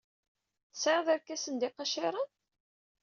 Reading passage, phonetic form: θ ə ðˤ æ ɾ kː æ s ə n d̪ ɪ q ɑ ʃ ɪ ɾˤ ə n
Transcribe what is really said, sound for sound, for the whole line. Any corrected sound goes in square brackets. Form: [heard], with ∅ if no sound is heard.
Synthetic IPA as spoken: [s] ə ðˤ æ ɾ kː æ s ə n d̪ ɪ q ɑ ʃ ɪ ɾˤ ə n